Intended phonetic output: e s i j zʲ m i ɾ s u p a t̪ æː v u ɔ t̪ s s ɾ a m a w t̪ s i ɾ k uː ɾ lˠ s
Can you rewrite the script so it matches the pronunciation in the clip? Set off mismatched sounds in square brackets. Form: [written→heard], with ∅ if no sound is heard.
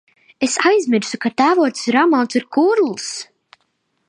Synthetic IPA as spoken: e s [i→a] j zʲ m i ɾ s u [p→k] a t̪ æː v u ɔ t̪ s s ɾ a m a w t̪ s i ɾ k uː ɾ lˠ s